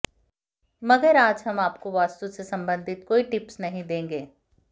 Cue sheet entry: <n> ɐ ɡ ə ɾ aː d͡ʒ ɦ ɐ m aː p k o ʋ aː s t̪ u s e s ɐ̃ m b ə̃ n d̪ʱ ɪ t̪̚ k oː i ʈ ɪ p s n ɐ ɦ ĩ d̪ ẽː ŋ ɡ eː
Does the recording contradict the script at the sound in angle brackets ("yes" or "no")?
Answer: yes